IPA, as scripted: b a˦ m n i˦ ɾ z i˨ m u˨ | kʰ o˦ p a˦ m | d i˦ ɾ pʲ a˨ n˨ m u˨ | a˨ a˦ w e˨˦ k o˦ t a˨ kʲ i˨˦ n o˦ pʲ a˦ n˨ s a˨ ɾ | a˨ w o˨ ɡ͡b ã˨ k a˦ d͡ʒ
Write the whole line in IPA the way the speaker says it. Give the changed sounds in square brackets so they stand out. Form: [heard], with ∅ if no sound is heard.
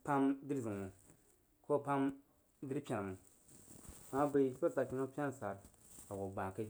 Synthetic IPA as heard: [p] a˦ m [d] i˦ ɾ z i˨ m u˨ | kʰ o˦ p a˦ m | d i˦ ɾ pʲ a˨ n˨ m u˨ | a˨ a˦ [b] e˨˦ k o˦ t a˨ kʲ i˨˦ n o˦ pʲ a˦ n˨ s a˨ ɾ | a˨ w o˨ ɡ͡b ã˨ k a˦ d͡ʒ